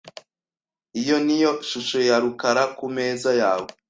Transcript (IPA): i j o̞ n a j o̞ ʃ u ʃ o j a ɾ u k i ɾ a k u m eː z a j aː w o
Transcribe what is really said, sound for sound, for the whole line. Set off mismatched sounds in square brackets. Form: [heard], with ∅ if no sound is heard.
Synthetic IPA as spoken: i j o̞ n [i] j o̞ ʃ u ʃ o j a ɾ u k [a] ɾ a k u m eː z a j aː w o